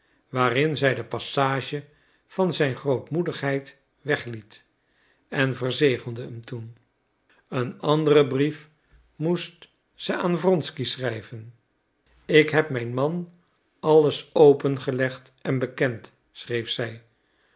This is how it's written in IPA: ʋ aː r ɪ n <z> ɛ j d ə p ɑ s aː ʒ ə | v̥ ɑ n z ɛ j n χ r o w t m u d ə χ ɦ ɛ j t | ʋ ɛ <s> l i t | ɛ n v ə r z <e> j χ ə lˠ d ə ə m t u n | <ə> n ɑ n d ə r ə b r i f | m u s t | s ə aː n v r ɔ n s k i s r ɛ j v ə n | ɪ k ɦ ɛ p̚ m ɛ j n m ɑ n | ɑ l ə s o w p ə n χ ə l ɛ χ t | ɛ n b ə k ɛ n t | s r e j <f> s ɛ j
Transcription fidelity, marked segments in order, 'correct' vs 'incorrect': correct, incorrect, correct, correct, correct

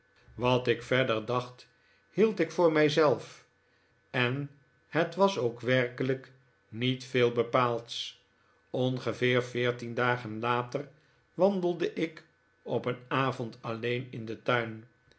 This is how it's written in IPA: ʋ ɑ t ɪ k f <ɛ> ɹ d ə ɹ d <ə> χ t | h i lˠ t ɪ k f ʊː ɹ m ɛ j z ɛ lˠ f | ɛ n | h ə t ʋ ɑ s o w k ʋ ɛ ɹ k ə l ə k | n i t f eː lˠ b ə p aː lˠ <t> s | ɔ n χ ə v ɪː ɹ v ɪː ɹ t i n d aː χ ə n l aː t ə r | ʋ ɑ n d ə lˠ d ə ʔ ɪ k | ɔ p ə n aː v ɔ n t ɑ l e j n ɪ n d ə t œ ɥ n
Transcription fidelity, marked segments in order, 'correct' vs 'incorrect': correct, incorrect, correct

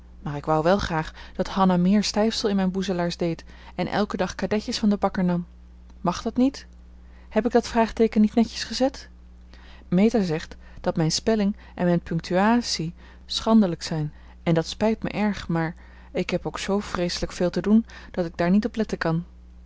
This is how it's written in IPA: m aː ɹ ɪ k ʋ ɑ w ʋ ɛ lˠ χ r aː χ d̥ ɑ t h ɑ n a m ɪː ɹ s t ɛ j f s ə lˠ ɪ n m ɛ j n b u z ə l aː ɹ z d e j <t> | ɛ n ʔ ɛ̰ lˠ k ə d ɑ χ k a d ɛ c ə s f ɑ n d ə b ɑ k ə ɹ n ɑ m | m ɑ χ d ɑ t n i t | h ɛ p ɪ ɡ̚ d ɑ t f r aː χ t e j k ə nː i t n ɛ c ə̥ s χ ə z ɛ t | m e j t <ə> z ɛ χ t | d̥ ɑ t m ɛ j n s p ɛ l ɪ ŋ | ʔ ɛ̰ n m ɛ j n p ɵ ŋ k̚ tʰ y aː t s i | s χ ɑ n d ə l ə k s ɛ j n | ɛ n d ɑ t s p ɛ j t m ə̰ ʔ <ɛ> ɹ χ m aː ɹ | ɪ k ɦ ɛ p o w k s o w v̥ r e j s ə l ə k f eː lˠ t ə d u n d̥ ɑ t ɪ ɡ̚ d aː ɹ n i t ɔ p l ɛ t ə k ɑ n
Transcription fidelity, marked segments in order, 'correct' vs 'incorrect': correct, incorrect, correct

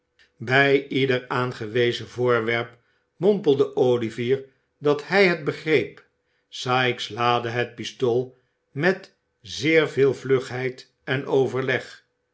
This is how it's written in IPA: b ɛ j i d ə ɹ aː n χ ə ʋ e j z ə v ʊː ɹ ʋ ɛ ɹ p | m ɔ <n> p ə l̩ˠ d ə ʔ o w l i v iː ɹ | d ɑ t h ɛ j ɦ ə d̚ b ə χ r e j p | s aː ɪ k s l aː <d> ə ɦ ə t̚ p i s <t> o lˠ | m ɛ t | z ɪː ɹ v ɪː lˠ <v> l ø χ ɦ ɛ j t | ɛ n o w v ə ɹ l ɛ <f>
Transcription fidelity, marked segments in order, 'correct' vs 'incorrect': incorrect, correct, correct, correct, incorrect

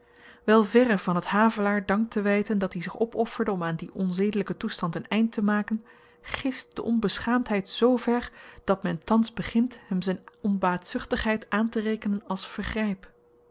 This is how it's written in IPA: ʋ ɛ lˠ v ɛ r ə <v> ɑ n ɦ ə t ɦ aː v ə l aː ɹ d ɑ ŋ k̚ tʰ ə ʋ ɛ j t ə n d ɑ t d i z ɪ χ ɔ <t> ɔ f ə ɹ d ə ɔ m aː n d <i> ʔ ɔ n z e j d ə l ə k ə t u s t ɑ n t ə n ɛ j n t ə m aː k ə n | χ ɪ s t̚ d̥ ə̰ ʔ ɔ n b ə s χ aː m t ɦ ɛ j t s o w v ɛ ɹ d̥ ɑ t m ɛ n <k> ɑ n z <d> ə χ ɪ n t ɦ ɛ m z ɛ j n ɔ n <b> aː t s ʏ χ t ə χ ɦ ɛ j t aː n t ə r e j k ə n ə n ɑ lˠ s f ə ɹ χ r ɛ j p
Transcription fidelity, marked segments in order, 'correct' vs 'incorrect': correct, incorrect, correct, incorrect, incorrect, correct

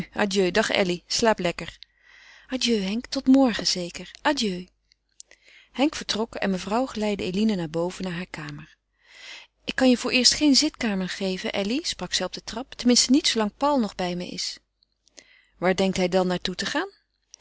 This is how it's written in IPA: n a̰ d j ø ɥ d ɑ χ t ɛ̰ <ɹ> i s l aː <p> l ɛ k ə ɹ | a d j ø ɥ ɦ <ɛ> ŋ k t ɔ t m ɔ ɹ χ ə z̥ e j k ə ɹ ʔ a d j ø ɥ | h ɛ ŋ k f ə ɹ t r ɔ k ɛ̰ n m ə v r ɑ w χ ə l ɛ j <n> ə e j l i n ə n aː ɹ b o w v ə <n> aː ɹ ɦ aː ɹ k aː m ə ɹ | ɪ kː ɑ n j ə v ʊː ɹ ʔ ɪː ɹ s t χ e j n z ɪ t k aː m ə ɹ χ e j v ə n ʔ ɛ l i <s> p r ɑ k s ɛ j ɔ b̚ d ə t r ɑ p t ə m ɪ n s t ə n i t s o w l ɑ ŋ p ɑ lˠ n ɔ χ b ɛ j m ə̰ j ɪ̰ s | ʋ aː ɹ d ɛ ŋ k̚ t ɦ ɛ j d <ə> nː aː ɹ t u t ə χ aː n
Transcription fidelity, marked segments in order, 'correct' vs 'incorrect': incorrect, correct, correct, incorrect, correct, correct, incorrect

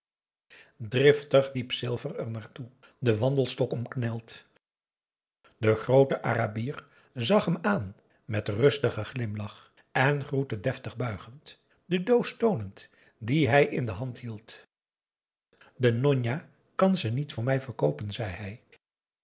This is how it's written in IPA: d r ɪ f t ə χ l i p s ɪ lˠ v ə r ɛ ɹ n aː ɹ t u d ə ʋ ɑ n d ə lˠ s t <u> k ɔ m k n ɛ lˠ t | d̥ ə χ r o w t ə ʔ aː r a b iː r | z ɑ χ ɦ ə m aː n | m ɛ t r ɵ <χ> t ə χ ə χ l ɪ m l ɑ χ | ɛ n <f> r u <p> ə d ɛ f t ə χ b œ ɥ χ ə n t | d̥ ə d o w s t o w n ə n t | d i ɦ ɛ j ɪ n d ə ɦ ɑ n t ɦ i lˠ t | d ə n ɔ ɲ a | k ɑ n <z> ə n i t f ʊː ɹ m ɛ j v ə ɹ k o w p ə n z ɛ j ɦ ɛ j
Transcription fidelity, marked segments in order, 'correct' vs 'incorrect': incorrect, incorrect, incorrect, incorrect, correct

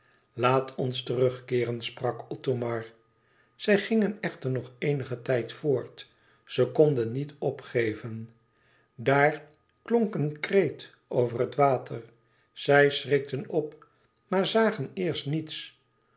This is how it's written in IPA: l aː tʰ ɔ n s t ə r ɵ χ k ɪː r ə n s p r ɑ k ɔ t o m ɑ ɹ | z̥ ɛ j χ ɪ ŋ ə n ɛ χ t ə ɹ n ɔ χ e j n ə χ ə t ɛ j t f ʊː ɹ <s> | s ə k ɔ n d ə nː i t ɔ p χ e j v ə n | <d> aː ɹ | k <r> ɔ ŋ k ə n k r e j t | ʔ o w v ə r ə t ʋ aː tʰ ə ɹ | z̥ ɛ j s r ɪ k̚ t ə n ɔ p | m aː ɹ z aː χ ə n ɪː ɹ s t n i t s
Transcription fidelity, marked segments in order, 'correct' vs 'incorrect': incorrect, correct, incorrect

